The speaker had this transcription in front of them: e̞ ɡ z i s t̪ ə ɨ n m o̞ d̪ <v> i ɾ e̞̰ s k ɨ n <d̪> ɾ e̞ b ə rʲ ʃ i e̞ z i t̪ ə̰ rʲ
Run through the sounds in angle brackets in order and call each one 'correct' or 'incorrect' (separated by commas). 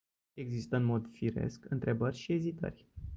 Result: incorrect, incorrect